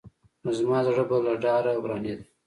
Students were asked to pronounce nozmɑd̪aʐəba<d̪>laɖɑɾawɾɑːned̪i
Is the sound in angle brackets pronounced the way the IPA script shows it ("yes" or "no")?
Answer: no